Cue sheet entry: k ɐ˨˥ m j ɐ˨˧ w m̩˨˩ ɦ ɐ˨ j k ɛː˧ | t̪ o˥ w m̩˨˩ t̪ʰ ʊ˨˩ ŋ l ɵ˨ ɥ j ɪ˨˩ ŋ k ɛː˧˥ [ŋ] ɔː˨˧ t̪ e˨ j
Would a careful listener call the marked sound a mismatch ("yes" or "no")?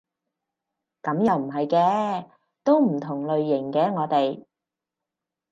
no